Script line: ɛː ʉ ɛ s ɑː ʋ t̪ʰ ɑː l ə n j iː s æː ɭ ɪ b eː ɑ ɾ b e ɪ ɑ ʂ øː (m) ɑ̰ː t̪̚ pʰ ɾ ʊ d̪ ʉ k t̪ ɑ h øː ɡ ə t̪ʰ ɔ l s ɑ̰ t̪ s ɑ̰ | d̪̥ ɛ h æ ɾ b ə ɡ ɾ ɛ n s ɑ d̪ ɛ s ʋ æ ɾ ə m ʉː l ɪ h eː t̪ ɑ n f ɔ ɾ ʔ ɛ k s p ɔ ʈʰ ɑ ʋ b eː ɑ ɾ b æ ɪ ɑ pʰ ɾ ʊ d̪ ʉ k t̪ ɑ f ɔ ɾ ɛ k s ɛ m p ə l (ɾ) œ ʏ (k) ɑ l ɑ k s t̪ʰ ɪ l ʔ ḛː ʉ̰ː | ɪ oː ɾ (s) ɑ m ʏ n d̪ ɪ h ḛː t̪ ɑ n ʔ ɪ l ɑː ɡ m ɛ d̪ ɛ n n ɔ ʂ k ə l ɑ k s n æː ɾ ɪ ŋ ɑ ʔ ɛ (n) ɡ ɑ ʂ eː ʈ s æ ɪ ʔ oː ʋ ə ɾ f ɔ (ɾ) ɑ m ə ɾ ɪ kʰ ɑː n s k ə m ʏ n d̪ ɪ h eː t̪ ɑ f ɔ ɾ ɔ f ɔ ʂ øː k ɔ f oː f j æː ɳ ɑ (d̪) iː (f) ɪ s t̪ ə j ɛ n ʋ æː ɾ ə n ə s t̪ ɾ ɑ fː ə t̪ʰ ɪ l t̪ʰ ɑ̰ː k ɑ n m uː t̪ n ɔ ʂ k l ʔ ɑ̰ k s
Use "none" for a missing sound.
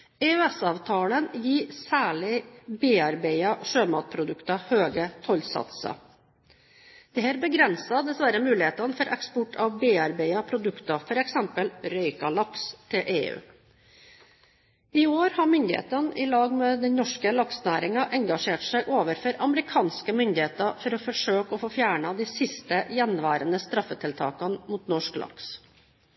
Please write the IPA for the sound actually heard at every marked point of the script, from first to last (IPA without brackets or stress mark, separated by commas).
m, ɾ, k, h, ŋ, ɾ, d̪, s